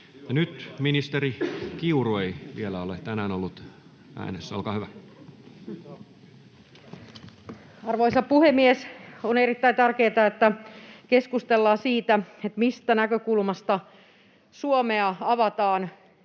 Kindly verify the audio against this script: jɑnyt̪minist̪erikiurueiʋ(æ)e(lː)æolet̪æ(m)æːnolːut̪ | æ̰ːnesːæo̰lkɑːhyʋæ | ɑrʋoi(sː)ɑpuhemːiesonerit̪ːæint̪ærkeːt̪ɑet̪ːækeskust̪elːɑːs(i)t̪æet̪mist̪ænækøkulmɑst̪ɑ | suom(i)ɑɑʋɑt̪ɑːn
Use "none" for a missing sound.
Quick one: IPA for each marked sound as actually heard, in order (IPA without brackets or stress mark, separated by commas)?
i, l, n, s, iː, e